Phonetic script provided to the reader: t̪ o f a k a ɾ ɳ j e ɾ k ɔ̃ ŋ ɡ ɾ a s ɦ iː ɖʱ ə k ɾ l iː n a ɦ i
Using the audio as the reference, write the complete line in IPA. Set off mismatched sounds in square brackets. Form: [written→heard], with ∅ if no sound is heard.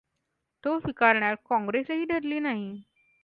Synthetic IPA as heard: t̪ o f [a→i] k a ɾ ɳ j [e→a] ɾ k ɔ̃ ŋ ɡ ɾ [a→e] s ɦ iː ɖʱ ə [k→∅] ɾ l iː n a ɦ i